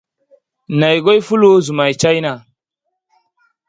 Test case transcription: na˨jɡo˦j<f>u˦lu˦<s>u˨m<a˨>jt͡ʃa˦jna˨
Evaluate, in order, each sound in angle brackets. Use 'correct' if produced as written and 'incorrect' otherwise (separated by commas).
correct, incorrect, correct